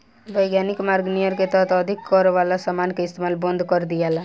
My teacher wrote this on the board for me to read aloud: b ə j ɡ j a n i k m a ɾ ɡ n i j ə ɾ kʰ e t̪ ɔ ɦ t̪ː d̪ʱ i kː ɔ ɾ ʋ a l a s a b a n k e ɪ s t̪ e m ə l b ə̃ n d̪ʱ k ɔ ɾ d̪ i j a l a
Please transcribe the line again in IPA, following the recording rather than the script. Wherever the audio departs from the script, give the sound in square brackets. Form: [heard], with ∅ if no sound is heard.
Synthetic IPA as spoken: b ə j ɡ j a n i k m a ɾ ɡ n i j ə ɾ [k] e t̪ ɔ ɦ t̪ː d̪ʱ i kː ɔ ɾ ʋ a l a s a [m] a n k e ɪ s t̪ e m [a] l b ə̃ n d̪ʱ k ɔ ɾ d̪ i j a l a